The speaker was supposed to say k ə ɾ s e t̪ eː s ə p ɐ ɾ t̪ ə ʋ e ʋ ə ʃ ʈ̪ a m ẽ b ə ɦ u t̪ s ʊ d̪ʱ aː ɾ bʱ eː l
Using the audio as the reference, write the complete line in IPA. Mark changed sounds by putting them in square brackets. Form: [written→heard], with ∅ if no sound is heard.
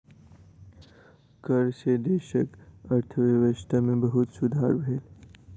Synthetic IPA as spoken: k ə ɾ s e [t̪→d̪] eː [s→ʃ] ə [p→k] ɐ ɾ [t̪→t̪ʰ] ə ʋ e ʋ ə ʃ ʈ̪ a m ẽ b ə ɦ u t̪ s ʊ d̪ʱ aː ɾ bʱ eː l